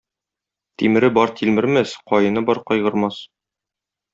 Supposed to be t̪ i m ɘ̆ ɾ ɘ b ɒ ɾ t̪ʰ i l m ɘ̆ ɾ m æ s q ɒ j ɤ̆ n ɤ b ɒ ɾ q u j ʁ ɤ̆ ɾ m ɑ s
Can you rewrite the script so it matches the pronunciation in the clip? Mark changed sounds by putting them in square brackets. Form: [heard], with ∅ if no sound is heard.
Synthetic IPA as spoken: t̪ i m ɘ̆ ɾ ɘ b ɒ ɾ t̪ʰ i l m ɘ̆ ɾ m æ s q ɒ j ɤ̆ n ɤ b ɒ ɾ q [ɒ] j ʁ ɤ̆ ɾ m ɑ s